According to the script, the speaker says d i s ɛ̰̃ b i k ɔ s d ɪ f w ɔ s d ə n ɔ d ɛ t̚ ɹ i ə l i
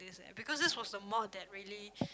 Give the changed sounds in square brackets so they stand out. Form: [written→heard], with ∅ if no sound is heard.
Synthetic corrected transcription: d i s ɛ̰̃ b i k ɔ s d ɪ [f→s] w ɔ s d ə [n→m] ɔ d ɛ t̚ ɹ i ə l i